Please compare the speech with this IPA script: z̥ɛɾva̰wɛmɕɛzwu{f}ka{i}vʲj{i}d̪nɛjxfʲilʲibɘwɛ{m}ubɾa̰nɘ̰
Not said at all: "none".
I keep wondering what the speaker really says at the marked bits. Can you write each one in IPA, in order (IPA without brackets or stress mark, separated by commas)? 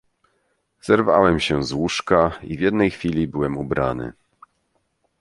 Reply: ʂ, i, ɛ, m